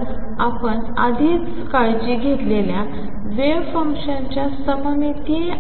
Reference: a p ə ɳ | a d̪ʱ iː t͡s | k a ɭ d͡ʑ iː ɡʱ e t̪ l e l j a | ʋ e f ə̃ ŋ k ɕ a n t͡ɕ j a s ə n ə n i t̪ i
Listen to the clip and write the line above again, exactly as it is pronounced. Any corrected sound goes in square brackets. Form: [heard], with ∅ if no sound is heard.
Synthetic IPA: a p ə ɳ | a d̪ʱ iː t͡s | k a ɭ d͡ʑ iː ɡʱ e t̪ l e l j a | ʋ e f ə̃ ŋ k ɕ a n t͡ɕ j a s ə [m] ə [m] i t̪ i

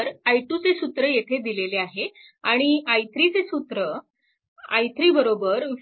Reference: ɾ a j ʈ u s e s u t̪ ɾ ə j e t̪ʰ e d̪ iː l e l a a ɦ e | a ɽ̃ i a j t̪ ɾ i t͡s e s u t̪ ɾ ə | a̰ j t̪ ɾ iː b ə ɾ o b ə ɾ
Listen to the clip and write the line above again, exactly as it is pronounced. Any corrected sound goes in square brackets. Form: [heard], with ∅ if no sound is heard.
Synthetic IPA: ɾ a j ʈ u [t͡s] e s u t̪ ɾ ə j e t̪ʰ e d̪ [i] l e l [e] a ɦ e | a ɽ̃ i a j t̪ ɾ i t͡s e s u t̪ ɾ ə | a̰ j t̪ ɾ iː b ə ɾ o b ə ɾ

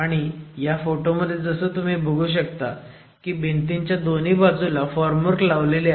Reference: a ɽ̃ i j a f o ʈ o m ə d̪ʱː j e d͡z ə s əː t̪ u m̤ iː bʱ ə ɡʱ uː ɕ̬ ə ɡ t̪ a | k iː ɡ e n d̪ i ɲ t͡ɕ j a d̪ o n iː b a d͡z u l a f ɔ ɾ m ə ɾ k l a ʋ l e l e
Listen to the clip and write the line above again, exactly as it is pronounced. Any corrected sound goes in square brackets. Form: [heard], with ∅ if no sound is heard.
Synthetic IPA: a ɽ̃ i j a f o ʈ o m ə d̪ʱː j e d͡z ə s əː t̪ u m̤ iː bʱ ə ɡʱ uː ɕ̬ ə [k] t̪ a | k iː [b] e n [t̪] i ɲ t͡ɕ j a d̪ o n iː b a d͡z u l a f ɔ ɾ m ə ɾ k l a ʋ l e l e

